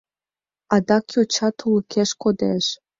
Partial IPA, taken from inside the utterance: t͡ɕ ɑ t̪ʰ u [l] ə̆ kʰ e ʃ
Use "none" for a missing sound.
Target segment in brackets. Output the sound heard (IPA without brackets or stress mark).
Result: l